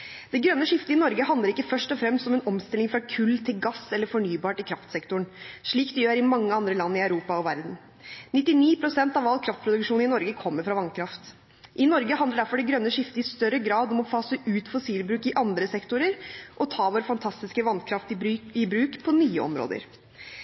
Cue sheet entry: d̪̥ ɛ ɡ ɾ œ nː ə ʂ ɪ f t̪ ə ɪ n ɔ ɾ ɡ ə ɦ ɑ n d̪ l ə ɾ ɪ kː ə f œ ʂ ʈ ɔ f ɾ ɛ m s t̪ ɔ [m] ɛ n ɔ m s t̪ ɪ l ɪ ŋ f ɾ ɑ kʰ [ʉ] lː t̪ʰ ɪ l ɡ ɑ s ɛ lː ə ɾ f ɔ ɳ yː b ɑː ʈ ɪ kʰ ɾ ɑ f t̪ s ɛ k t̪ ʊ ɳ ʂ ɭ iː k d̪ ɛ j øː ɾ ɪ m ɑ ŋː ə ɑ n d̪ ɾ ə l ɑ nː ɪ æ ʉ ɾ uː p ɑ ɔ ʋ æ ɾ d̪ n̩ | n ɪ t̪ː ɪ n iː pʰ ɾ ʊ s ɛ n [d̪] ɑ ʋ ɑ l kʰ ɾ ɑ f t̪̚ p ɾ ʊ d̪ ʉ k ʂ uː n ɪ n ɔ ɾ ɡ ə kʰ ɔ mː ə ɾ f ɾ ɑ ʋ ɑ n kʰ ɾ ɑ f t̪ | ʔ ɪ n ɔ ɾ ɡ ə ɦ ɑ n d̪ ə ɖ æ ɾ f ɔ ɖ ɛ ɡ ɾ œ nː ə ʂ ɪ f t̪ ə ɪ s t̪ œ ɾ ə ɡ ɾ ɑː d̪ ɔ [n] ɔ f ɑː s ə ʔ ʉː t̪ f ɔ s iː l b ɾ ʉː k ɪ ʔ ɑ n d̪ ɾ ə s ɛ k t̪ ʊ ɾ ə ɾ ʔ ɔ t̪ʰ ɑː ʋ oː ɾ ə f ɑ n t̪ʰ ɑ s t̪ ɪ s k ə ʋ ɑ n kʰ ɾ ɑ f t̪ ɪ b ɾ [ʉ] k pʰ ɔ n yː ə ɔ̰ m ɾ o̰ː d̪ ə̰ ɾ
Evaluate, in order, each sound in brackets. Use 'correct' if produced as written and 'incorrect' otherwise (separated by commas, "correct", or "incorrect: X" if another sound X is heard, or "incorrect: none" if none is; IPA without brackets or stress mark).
correct, correct, incorrect: t̪, incorrect: m, incorrect: ʉː